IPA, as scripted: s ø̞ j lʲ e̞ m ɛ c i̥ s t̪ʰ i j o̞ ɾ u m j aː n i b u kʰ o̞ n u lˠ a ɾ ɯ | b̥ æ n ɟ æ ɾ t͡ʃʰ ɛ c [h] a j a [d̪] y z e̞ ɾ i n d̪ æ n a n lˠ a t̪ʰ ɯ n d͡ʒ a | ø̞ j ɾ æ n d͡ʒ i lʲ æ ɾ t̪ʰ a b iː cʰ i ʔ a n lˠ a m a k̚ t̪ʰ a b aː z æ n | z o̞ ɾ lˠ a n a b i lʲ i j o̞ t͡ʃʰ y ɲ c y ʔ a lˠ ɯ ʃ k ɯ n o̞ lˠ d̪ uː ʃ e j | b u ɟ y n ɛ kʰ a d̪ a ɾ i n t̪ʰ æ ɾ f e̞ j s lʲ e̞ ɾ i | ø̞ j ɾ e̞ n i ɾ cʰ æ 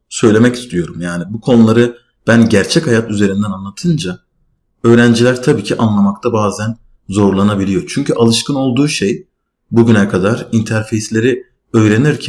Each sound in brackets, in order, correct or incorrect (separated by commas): correct, incorrect